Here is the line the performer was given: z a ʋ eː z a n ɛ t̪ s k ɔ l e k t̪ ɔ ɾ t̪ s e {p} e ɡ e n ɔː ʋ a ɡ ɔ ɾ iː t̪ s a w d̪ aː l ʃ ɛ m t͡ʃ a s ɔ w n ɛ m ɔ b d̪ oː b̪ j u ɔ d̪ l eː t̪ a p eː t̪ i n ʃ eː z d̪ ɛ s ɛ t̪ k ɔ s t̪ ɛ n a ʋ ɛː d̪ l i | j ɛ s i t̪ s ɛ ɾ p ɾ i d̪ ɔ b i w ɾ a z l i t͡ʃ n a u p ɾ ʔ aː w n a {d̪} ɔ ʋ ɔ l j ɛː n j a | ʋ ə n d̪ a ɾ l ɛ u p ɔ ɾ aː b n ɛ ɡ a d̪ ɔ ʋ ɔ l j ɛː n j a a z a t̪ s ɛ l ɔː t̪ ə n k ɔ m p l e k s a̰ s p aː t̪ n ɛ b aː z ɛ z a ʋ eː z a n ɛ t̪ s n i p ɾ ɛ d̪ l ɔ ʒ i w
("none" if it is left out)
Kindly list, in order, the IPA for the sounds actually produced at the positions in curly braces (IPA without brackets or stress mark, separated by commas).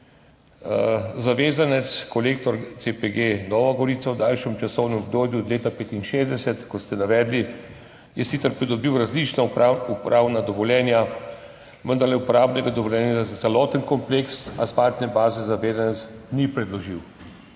p, d̪